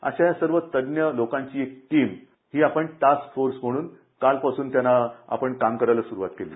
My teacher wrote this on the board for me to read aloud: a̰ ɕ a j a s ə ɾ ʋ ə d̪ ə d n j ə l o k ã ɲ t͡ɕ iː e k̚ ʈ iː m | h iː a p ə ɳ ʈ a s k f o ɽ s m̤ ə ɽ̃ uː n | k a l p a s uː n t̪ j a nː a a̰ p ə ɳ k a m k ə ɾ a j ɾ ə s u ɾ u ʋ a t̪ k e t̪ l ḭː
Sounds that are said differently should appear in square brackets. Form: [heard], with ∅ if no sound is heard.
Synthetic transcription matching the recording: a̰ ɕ a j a s ə ɾ ʋ ə [t̪] ə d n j ə l o k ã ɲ t͡ɕ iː e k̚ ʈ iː m | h iː a p ə ɳ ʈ a s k f o [ɾ] s m̤ ə ɽ̃ uː n | k a l p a s uː n t̪ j a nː a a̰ p ə ɳ k a m k ə ɾ a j [l] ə s u ɾ u ʋ a t̪ k e [∅] l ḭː